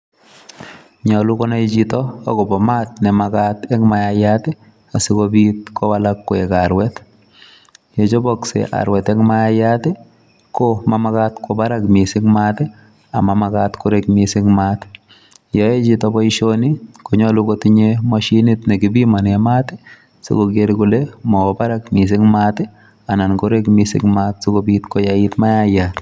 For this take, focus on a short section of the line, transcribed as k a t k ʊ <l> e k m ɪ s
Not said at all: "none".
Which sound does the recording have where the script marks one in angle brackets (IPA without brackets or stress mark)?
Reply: ɾ